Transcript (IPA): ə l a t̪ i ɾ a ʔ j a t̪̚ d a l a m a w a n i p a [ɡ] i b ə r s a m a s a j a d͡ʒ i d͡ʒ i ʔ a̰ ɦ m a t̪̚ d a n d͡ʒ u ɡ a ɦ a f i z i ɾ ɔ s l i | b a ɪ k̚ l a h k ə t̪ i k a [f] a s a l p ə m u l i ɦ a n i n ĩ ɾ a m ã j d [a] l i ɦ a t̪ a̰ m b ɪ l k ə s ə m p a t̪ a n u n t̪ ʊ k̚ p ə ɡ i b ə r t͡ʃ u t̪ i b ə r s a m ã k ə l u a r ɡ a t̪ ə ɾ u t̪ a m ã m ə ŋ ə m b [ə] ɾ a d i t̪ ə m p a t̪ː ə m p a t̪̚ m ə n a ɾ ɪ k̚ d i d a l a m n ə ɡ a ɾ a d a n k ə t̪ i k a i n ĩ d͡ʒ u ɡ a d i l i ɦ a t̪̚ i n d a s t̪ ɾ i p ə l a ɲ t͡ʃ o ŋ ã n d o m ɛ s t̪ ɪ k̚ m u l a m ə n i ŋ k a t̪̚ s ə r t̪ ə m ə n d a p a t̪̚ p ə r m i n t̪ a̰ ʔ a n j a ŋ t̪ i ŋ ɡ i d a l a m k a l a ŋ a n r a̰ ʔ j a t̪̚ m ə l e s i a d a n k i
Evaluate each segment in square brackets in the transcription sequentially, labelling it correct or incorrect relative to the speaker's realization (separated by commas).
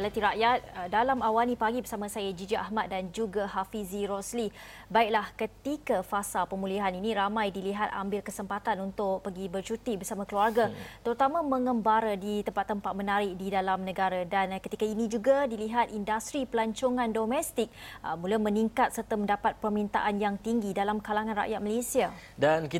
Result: correct, correct, incorrect, incorrect